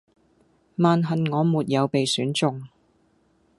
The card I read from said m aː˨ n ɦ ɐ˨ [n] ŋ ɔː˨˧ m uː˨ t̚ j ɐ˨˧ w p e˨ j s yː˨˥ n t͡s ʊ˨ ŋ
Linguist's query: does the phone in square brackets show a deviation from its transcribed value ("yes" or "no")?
no